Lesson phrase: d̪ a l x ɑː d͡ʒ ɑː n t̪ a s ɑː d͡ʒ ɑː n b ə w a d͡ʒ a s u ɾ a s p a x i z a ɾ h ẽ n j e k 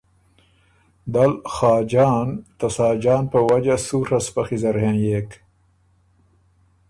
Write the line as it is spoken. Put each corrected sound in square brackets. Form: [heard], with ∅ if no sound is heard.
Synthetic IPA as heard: d̪ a l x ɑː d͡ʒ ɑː n t̪ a s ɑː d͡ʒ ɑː n [p] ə w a d͡ʒ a s u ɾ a s p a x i z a ɾ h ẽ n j e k